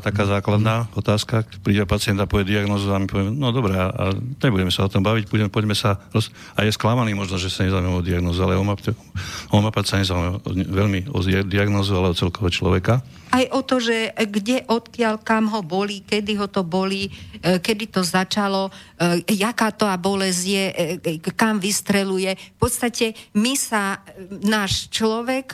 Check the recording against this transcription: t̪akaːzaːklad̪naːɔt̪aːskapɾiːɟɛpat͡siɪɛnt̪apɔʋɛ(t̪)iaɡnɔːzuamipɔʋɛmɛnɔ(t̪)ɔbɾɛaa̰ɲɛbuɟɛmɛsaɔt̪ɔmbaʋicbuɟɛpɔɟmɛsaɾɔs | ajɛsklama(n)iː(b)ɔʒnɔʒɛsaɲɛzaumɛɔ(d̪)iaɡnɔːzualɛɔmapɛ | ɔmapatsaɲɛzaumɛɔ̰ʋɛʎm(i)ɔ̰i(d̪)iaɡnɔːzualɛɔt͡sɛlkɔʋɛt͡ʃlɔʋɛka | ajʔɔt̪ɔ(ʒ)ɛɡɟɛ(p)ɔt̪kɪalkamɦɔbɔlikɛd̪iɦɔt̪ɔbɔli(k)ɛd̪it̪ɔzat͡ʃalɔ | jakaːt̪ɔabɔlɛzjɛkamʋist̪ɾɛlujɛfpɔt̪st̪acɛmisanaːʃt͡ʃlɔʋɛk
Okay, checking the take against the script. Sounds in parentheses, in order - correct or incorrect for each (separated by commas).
incorrect, incorrect, correct, incorrect, correct, correct, correct, correct, incorrect, correct